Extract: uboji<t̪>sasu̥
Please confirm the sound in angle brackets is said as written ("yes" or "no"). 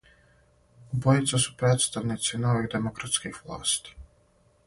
yes